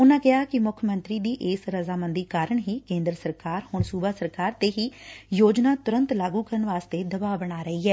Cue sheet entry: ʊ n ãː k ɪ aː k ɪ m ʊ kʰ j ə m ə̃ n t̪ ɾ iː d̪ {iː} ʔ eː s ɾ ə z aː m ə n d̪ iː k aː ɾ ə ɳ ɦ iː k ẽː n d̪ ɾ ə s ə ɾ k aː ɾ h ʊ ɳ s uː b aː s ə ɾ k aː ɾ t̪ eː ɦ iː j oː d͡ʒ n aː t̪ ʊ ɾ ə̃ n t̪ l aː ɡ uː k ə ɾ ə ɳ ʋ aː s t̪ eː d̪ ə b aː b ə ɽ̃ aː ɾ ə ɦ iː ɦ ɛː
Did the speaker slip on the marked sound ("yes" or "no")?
no